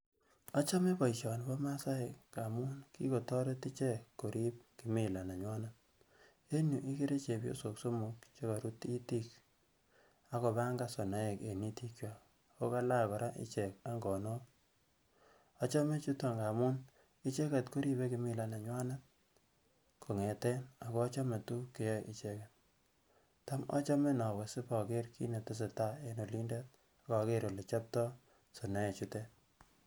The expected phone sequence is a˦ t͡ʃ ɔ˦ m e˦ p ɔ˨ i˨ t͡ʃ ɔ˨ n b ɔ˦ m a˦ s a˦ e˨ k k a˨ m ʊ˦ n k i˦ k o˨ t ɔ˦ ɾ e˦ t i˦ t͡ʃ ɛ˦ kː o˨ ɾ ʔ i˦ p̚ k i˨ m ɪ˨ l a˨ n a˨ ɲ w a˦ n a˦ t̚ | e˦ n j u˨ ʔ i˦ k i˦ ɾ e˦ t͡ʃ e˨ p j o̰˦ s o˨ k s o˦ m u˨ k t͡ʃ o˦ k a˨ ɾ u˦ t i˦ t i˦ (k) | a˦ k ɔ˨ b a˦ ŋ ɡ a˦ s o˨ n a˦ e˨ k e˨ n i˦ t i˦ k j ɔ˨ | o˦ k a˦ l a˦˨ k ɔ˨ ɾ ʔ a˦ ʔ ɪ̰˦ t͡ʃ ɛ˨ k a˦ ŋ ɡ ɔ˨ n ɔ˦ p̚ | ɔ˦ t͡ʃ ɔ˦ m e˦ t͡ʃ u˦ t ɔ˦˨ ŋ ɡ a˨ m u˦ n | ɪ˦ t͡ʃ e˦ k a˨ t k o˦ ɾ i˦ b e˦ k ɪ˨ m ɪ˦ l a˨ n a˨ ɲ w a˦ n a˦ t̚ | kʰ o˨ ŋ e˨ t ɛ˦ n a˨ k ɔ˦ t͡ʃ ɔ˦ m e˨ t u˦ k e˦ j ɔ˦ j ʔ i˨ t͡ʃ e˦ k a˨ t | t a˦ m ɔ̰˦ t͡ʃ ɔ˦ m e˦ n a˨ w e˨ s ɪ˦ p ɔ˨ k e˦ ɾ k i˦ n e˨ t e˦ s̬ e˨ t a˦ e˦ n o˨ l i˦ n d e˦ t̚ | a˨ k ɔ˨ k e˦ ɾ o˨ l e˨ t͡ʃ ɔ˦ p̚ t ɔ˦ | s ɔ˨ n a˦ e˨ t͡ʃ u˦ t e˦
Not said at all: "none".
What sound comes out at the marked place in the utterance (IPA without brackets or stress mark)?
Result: k